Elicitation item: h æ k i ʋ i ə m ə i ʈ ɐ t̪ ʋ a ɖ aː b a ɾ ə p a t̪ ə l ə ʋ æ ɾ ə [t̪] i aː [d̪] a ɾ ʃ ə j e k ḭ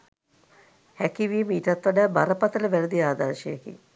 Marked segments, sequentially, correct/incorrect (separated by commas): incorrect, correct